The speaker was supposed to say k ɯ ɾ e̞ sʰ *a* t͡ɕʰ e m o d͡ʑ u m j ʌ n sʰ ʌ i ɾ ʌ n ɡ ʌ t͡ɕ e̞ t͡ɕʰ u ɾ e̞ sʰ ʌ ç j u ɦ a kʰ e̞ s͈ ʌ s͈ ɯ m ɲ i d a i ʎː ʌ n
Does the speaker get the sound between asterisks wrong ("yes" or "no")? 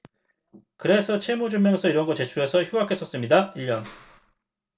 yes